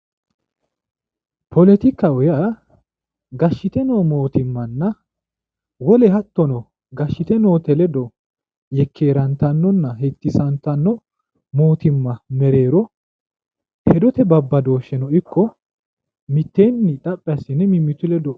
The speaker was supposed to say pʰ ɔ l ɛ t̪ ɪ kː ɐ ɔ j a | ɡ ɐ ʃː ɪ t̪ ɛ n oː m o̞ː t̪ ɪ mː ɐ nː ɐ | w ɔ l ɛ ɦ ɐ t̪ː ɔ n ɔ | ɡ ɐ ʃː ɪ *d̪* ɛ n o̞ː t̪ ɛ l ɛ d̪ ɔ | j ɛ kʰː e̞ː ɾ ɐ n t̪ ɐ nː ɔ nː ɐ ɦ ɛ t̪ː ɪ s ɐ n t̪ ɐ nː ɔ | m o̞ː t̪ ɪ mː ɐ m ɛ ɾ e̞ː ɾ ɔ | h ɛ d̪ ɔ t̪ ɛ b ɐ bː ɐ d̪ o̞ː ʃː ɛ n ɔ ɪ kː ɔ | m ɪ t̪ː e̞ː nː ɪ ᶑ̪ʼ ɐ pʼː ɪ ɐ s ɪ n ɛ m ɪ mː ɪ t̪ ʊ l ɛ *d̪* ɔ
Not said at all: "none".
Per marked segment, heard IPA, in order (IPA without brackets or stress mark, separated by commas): t̪, d̪